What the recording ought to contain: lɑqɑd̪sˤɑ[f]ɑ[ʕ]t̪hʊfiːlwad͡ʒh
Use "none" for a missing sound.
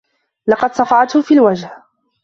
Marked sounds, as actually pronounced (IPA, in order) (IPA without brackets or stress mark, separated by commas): f, ʕ